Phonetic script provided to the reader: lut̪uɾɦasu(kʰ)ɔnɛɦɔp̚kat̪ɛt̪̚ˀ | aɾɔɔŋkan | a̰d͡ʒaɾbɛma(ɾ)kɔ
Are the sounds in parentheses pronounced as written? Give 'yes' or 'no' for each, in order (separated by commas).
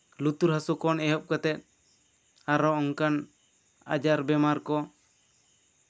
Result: no, yes